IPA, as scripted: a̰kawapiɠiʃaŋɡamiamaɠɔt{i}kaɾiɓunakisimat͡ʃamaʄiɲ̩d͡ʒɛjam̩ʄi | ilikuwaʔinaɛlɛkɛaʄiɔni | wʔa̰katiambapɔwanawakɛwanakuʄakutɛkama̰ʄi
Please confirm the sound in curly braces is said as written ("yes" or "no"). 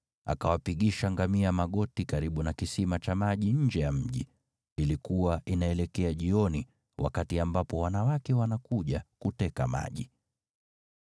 yes